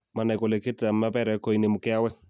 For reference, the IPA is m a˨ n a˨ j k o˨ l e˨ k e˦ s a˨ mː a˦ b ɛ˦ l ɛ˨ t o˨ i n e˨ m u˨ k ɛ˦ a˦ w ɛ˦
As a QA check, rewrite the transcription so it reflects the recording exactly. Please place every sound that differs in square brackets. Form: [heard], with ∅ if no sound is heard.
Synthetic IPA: m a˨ n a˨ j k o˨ l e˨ k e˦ [t] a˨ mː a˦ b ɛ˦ [ɾ] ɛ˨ [k] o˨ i n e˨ m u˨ k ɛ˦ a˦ w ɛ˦